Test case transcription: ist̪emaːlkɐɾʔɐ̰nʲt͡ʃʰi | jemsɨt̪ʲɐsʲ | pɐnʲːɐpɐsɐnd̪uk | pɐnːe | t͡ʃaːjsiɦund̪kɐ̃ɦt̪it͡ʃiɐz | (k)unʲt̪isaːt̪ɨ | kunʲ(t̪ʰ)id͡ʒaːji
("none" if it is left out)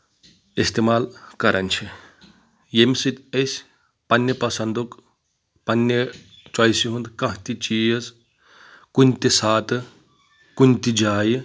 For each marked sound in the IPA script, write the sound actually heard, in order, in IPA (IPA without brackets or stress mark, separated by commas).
k, t̪